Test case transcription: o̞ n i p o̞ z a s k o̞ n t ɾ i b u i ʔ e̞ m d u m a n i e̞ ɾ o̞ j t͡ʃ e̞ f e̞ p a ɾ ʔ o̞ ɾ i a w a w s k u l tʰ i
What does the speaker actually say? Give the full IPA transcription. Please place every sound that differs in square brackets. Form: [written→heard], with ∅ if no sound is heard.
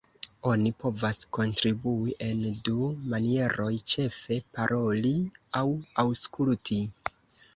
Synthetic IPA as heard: o̞ n i p o̞ [z→v] a s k o̞ n t ɾ i b u i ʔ e̞ [m→n] d u m a n i e̞ ɾ o̞ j t͡ʃ e̞ f e̞ p a ɾ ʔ o̞ [ɾ→l] i a w a w s k u l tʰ i